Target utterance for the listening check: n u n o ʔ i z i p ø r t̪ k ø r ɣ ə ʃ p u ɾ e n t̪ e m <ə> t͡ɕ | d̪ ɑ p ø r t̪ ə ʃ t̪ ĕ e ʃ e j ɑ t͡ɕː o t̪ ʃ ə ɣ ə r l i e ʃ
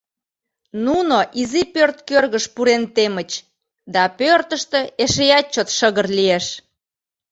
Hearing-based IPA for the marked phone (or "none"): ə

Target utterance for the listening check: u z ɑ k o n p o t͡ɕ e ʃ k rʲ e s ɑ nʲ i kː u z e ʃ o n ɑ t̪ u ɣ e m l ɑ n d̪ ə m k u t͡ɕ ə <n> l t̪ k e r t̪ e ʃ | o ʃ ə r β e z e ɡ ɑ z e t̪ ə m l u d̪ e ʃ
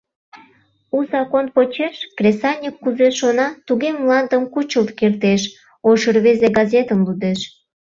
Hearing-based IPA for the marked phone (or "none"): none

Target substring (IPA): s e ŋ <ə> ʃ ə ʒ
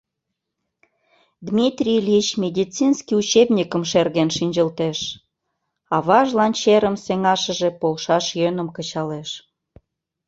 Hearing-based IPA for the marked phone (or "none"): ɑ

